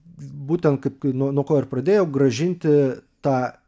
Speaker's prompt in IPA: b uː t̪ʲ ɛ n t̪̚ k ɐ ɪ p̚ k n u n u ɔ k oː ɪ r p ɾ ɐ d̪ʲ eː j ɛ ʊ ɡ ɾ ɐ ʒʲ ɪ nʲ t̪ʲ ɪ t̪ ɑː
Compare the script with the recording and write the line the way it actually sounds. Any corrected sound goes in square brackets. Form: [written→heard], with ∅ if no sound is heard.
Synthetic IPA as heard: b uː t̪ʲ ɛ n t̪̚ k ɐ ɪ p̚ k n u n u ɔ k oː ɪ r p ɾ ɐ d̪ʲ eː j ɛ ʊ ɡ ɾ ɐ ʒʲ ɪ nʲ t̪ʲ ɪ t̪ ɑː